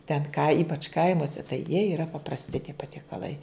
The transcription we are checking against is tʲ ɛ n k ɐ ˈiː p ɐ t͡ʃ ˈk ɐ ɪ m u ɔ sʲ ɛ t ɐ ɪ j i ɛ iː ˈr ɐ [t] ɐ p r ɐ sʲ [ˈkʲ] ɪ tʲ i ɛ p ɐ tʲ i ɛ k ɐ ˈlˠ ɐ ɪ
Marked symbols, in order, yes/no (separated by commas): no, no